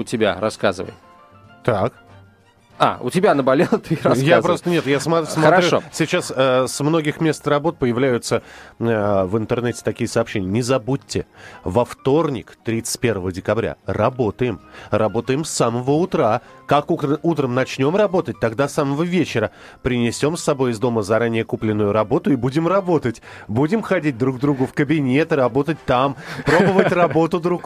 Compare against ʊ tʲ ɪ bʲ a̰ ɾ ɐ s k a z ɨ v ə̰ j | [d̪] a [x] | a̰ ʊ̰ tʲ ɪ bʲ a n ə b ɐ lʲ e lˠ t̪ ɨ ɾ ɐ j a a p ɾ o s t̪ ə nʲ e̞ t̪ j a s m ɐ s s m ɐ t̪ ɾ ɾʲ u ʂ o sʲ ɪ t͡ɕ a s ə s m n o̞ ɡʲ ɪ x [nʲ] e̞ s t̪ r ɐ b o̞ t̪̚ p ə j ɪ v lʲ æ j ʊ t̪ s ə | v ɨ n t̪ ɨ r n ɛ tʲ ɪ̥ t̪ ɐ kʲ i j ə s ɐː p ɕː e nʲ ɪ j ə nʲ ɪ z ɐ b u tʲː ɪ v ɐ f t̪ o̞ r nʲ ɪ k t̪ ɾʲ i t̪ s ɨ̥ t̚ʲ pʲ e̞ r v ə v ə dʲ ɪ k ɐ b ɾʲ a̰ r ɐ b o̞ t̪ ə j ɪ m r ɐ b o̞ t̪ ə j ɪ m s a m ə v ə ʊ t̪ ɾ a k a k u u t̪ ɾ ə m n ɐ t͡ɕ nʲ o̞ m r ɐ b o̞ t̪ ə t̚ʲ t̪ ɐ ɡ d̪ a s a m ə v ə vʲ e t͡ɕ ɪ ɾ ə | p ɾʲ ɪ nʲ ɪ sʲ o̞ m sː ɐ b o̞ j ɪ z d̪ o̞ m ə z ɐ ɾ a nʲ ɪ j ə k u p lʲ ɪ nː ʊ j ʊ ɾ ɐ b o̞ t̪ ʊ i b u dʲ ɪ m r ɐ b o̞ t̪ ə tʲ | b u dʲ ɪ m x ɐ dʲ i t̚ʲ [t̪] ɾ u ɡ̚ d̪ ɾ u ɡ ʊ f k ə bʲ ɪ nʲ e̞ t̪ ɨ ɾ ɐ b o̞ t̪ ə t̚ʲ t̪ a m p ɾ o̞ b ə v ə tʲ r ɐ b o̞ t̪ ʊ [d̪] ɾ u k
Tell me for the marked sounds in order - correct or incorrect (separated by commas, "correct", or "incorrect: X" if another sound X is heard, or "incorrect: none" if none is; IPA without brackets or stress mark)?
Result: incorrect: t̪, incorrect: k, incorrect: mʲ, incorrect: d̪, correct